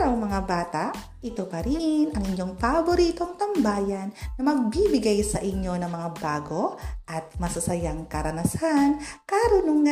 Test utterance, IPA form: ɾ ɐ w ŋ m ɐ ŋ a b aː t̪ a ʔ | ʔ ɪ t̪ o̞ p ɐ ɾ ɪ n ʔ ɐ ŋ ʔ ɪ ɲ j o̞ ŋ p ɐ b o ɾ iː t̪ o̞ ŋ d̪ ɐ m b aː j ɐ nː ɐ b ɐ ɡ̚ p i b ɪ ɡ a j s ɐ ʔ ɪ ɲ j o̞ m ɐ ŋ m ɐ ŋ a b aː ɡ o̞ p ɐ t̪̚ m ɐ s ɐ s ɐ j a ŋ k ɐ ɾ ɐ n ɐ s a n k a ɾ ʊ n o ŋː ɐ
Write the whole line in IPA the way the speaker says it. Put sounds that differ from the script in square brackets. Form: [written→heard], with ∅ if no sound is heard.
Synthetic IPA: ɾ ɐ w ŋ m ɐ ŋ a b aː t̪ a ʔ | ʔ ɪ t̪ o̞ p ɐ ɾ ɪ n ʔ ɐ ŋ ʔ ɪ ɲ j o̞ ŋ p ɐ b o ɾ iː t̪ o̞ ŋ [d̪→t̪] ɐ m b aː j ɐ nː ɐ [b→m] ɐ ɡ̚ [p→b] i b ɪ ɡ a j s ɐ ʔ ɪ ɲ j o̞ [m→n] ɐ ŋ m ɐ ŋ a b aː ɡ o̞ [p→ʔ] ɐ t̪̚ m ɐ s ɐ s ɐ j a ŋ k ɐ ɾ ɐ n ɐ s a n k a ɾ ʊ n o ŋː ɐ